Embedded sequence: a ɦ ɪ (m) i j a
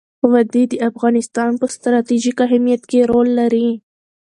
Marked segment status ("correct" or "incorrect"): correct